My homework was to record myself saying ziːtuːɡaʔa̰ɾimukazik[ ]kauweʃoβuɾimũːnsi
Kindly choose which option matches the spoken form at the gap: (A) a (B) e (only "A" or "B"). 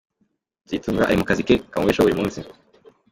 B